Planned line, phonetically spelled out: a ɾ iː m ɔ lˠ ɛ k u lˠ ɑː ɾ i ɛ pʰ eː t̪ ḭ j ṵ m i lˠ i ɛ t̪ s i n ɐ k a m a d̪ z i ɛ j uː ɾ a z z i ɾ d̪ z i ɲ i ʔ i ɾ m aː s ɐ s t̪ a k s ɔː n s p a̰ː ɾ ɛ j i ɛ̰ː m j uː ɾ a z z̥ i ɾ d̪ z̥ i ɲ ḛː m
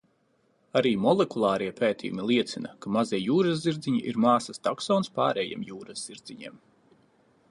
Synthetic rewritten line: a ɾ iː m ɔ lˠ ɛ k u lˠ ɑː ɾ i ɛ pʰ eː t̪ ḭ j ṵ m i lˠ i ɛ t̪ s i n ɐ k a m a z i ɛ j uː ɾ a z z i ɾ d̪ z i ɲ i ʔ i ɾ m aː s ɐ s t̪ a k s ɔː n s p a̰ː ɾ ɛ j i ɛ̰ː m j uː ɾ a z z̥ i ɾ d̪ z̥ i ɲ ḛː m